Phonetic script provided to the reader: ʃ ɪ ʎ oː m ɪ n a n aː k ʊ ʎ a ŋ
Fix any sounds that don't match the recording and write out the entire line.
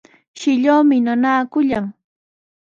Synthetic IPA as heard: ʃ ɪ ʎ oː m ɪ n a n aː k ʊ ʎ a ŋ